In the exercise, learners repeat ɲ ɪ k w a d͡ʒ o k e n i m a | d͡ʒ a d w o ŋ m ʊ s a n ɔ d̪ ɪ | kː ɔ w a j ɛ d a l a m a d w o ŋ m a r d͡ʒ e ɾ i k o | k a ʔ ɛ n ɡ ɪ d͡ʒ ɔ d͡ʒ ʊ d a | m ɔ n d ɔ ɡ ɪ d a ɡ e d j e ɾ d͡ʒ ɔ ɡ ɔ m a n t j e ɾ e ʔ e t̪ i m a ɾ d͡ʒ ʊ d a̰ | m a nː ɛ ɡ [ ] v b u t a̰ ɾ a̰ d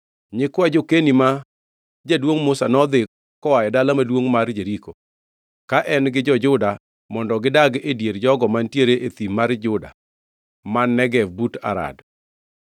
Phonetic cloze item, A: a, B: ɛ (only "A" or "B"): B